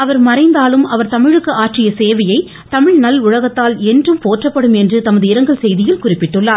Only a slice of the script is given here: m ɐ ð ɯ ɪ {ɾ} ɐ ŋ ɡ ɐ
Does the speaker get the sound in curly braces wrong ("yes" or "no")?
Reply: no